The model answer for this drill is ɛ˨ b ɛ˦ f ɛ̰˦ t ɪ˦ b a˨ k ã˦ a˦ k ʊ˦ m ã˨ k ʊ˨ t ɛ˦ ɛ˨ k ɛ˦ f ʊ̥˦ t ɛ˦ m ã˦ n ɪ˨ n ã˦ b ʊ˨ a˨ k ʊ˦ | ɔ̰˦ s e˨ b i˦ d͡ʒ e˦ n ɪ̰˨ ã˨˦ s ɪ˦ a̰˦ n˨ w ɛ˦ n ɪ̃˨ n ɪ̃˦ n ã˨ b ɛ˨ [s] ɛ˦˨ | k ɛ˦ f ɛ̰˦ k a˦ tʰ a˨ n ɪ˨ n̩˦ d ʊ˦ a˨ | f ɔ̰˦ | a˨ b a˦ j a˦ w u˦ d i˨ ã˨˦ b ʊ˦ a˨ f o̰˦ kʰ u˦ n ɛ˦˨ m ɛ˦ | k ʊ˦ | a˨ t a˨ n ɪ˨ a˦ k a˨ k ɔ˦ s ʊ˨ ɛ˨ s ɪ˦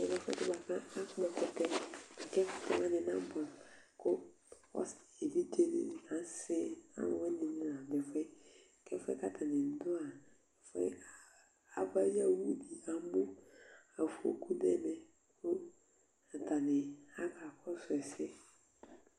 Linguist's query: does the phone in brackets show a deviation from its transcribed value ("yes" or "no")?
yes